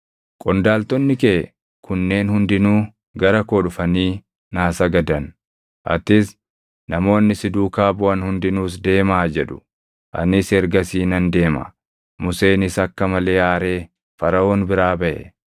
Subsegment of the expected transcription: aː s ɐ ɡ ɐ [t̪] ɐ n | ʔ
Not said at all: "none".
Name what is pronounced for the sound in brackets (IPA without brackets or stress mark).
d̪